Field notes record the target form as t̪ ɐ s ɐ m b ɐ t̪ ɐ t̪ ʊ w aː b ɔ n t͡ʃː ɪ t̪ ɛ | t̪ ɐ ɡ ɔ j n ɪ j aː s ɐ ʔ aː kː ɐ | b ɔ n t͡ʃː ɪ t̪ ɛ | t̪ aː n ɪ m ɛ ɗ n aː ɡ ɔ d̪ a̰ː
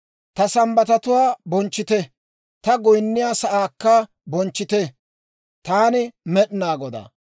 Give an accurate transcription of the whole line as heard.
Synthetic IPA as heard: t̪ ɐ s ɐ m b ɐ t̪ ɐ t̪ ʊ w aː b ɔ n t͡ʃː ɪ t̪ ɛ | t̪ ɐ ɡ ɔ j nː ɪ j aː s ɐ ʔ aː kː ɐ | b ɔ n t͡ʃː ɪ t̪ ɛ | t̪ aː n ɪ m ɛ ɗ n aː ɡ ɔ d̪ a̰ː